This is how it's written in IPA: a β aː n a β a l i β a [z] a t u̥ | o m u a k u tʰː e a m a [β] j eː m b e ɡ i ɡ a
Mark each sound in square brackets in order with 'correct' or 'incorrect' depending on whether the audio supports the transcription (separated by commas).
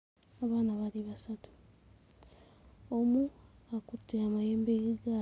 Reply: incorrect, incorrect